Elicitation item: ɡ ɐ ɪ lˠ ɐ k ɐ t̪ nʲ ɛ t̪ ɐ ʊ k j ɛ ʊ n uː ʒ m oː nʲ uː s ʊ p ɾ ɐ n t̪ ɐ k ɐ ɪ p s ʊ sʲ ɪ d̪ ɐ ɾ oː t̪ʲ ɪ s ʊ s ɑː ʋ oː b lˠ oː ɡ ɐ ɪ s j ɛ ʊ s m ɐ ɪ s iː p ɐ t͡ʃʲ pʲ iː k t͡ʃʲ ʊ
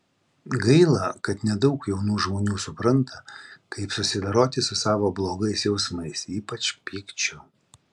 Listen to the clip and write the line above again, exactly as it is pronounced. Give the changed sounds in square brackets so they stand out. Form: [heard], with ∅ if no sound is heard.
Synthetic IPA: ɡ ɐ ɪ lˠ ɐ k ɐ t̪ nʲ ɛ [d̪] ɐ ʊ k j ɛ ʊ n uː ʒ m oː nʲ uː s ʊ p ɾ ɐ n t̪ ɐ k ɐ ɪ p s ʊ sʲ ɪ d̪ ɐ ɾ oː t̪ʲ ɪ s ʊ s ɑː ʋ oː b lˠ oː ɡ ɐ ɪ s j ɛ ʊ s m ɐ ɪ s iː p ɐ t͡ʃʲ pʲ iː k t͡ʃʲ ʊ